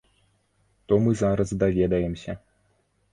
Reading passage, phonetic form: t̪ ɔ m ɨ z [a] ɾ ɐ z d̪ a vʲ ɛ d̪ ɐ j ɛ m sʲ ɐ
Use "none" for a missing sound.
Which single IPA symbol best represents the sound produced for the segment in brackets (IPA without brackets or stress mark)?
a